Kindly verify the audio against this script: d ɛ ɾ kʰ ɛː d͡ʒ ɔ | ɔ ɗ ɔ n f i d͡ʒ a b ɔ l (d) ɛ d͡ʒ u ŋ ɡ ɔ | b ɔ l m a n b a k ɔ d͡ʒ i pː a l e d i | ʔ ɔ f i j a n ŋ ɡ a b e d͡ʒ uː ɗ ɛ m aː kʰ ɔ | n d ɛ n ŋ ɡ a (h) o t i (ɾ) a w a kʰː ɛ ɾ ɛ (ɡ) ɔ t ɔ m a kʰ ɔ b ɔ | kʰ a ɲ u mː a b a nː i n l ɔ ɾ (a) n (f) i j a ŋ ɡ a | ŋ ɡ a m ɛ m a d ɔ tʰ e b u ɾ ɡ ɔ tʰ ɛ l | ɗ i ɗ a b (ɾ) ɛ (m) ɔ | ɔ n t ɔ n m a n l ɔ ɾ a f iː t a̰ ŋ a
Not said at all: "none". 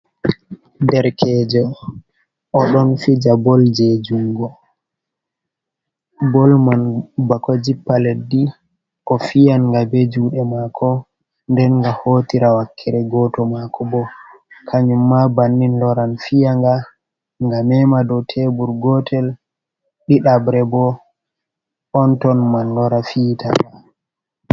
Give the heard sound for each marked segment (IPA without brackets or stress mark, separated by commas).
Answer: d͡ʒ, h, ɾ, ɡ, a, f, ɾ, b